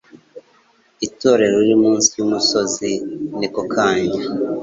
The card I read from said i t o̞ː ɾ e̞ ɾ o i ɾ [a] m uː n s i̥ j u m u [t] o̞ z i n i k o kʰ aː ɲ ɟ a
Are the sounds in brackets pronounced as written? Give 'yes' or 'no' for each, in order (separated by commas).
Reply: no, no